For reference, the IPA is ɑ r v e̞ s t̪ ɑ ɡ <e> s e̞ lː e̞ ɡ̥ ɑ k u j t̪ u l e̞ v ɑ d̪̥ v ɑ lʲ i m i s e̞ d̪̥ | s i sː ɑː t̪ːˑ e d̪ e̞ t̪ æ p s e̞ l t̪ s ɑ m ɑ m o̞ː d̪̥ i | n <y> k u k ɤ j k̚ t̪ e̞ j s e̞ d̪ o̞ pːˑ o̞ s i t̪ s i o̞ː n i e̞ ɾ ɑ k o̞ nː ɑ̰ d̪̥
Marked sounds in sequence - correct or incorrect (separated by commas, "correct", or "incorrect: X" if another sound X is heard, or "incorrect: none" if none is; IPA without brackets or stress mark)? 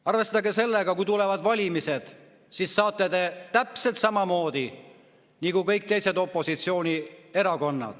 correct, incorrect: i